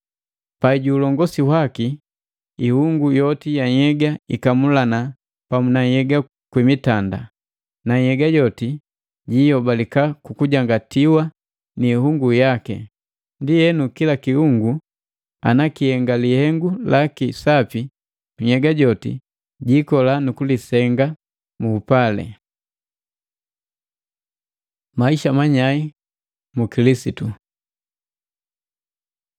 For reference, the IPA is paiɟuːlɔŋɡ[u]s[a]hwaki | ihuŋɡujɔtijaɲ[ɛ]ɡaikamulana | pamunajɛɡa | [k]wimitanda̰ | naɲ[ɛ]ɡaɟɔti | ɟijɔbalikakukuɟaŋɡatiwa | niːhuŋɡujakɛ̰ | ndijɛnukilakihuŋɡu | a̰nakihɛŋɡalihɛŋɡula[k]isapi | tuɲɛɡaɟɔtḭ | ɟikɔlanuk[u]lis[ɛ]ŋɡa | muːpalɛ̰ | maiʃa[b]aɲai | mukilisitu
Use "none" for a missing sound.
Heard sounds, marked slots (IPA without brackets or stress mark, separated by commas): ɔ, i, ɛ, k, ɛ, k, u, ɛ, m